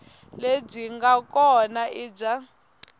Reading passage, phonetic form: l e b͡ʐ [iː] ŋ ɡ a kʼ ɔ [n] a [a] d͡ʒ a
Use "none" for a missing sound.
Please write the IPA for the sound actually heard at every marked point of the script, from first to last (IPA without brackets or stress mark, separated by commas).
i, n, i